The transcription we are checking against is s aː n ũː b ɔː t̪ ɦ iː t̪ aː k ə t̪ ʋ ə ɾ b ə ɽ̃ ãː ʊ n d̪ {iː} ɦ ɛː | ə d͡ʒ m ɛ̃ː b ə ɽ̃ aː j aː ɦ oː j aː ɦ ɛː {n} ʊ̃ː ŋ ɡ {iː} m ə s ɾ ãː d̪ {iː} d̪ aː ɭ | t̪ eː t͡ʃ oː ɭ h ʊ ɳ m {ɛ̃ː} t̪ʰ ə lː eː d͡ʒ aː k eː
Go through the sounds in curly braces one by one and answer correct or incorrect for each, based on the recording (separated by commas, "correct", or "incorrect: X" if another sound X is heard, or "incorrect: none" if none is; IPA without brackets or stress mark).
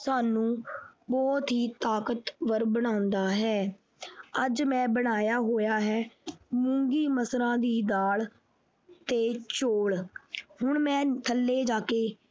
incorrect: aː, incorrect: m, correct, correct, correct